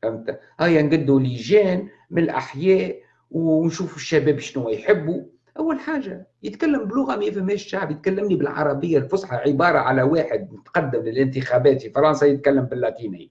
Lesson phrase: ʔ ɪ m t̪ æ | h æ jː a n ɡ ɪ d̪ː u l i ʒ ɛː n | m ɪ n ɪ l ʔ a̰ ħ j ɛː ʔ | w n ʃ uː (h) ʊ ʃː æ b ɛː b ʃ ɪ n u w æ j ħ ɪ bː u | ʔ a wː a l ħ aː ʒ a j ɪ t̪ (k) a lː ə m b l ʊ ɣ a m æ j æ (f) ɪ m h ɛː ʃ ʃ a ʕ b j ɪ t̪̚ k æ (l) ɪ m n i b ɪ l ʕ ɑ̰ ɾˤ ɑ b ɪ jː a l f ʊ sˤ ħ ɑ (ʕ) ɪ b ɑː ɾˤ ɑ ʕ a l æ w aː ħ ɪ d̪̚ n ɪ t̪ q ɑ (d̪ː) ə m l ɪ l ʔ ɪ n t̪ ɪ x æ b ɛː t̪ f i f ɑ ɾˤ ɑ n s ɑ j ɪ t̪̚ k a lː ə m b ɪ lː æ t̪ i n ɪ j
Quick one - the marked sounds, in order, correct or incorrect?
incorrect: f, correct, correct, incorrect: lː, correct, correct

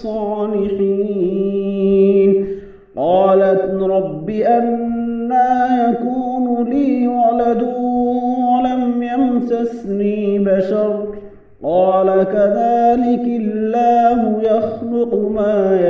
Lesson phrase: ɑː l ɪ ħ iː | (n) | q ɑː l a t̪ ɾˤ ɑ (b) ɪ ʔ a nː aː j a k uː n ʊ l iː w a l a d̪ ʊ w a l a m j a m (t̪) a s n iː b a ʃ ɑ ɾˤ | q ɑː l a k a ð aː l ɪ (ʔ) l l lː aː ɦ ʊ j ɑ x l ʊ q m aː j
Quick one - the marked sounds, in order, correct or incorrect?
correct, incorrect: bː, correct, incorrect: k

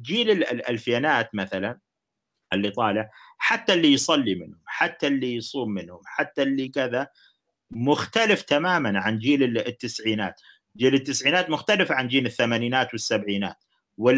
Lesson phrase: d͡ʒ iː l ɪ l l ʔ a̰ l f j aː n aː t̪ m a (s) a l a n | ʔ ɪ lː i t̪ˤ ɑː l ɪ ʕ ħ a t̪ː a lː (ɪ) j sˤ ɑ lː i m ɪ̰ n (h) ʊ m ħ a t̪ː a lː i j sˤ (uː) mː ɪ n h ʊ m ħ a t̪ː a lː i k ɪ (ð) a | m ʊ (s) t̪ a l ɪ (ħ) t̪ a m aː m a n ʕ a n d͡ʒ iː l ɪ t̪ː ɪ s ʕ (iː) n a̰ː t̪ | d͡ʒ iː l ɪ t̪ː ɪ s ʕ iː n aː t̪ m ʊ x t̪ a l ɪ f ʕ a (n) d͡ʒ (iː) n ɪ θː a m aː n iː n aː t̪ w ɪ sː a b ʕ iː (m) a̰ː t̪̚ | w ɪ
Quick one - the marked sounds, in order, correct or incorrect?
incorrect: θ, incorrect: i, correct, correct, correct, incorrect: x, incorrect: f, correct, correct, correct, incorrect: n

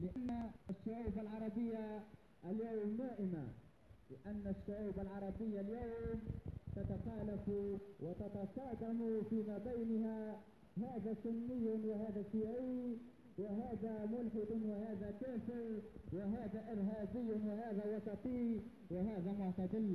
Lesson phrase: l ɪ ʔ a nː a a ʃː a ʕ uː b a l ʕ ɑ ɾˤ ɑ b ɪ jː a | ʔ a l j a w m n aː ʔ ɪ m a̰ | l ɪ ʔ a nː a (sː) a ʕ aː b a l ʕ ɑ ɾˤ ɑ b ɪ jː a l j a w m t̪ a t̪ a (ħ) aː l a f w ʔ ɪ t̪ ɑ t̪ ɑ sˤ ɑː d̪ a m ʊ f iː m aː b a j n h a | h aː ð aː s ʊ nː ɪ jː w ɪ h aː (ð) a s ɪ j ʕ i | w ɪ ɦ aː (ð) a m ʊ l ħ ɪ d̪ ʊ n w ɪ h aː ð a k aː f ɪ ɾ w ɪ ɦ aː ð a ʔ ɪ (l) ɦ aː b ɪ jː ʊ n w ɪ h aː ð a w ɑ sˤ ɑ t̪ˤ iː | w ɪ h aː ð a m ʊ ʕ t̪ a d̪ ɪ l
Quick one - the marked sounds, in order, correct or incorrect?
incorrect: ʃː, incorrect: x, correct, correct, incorrect: ɾ

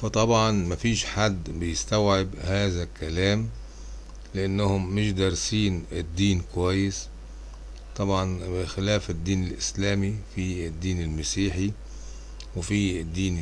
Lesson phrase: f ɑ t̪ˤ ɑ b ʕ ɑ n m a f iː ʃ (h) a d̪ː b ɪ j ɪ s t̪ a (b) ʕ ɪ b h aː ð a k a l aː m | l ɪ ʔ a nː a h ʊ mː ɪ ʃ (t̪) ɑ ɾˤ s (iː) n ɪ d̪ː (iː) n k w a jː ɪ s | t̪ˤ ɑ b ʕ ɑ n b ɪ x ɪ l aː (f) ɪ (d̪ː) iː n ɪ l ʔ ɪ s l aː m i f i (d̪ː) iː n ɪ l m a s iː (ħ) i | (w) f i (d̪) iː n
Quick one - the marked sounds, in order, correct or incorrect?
incorrect: ħ, incorrect: w, incorrect: d̪, correct, correct, correct, correct, correct, correct, correct, incorrect: d̪ː

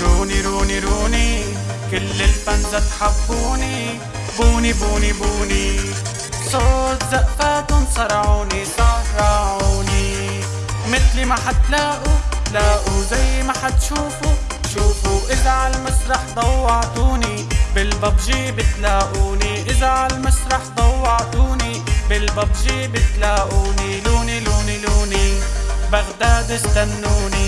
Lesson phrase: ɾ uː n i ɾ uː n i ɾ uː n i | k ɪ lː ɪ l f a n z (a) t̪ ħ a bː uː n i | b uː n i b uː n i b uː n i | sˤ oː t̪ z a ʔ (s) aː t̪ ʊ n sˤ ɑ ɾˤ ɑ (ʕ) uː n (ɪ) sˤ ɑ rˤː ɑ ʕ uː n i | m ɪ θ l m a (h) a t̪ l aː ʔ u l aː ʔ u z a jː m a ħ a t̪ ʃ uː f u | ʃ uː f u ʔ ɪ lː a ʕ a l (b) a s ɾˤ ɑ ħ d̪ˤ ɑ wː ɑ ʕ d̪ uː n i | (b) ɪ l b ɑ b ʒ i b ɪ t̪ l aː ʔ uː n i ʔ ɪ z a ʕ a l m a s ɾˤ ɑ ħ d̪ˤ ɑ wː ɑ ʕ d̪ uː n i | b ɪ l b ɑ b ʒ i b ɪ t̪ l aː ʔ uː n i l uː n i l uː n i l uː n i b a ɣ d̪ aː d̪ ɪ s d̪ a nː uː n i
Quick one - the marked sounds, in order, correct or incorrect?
correct, incorrect: f, correct, incorrect: i, incorrect: ħ, incorrect: m, correct

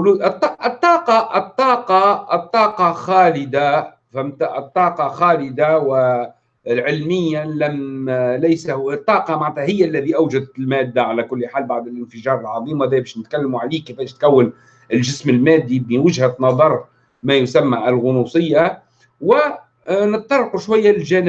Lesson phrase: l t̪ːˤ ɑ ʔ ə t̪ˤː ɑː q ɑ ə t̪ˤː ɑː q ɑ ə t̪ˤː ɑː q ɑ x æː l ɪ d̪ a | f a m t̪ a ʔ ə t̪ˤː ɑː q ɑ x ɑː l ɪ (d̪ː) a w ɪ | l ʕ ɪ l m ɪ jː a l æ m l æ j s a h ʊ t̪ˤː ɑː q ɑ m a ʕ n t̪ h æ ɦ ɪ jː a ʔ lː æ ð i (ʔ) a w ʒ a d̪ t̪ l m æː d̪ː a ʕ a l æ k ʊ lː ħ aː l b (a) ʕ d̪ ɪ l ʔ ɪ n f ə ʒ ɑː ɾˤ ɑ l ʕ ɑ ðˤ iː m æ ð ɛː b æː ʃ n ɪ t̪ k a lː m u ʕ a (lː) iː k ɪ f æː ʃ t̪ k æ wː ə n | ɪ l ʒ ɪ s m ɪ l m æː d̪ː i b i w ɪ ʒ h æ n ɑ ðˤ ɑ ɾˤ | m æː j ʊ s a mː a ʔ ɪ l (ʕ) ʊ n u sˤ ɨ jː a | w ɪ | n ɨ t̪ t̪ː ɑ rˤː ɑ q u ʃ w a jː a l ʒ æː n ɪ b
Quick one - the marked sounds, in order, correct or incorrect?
incorrect: d̪, correct, correct, incorrect: l, incorrect: ɣ

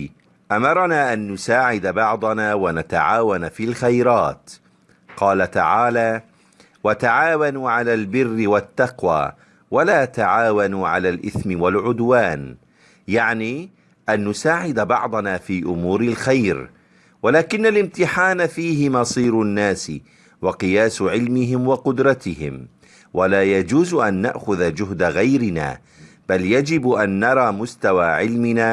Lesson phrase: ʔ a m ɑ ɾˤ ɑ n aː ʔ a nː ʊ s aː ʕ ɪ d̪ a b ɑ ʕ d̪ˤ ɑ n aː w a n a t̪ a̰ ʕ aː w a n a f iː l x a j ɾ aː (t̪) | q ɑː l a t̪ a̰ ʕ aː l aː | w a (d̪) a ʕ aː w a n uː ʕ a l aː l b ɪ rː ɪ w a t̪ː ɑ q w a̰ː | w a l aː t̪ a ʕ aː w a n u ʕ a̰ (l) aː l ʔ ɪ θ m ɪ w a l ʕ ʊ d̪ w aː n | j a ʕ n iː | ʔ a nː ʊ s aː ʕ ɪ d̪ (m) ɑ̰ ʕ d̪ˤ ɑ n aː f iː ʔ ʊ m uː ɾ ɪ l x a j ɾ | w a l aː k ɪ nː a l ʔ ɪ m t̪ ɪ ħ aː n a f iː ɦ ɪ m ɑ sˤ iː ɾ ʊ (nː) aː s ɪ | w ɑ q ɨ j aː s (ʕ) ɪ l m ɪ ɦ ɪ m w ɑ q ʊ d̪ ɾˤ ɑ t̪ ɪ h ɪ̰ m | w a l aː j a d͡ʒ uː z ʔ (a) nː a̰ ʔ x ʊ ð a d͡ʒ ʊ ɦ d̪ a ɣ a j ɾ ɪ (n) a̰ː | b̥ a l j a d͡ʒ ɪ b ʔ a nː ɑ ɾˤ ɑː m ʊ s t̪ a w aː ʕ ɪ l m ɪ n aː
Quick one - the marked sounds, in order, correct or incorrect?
correct, incorrect: t̪, correct, incorrect: b, correct, correct, correct, correct

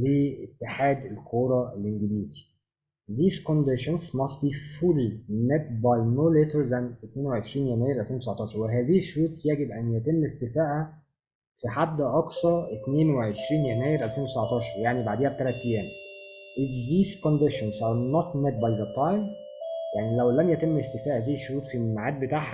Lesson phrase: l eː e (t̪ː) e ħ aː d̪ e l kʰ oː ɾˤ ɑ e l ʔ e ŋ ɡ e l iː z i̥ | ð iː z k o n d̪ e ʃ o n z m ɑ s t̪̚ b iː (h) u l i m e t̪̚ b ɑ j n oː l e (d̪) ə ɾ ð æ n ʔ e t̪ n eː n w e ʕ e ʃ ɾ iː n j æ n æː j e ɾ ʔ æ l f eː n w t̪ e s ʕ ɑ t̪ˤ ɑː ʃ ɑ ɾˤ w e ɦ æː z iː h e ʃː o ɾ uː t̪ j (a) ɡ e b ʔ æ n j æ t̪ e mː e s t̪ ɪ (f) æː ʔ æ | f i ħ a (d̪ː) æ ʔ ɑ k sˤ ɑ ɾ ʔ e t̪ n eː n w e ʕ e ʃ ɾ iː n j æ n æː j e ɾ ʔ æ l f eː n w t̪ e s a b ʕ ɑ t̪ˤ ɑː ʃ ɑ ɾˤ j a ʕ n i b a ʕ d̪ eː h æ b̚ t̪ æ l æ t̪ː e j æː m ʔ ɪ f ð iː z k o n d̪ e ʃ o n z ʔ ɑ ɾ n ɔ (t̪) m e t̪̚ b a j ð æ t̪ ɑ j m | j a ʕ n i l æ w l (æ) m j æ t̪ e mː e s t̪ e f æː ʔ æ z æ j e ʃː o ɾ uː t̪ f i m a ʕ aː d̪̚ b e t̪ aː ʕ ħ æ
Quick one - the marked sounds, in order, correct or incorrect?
correct, incorrect: f, incorrect: t̪, incorrect: æ, correct, correct, correct, correct

